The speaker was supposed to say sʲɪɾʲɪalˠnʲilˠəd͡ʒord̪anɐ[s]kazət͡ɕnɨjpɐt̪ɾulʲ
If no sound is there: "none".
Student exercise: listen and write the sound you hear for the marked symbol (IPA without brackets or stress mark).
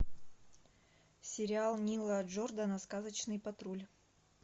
s